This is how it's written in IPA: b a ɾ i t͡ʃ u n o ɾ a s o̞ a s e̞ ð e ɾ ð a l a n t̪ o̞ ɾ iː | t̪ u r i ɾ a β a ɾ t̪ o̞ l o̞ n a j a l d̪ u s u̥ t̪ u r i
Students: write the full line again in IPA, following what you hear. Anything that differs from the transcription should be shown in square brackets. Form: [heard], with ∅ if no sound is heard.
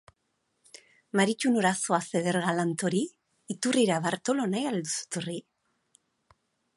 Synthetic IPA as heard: [m] a ɾ i t͡ʃ u n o ɾ a s o̞ a s e̞ ð e ɾ [ɣ] a l a n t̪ o̞ ɾ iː | t̪ u r i ɾ a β a ɾ t̪ o̞ l o̞ n a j a l d̪ u s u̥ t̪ u r i